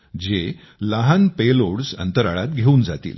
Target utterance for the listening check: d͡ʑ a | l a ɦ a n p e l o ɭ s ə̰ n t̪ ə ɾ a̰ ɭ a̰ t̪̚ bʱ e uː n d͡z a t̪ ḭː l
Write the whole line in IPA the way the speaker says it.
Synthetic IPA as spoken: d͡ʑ e | l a ɦ a n p e l o ɽ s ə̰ n t̪ ə ɾ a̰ ɭ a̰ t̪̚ ɡʱ e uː n d͡z a t̪ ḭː l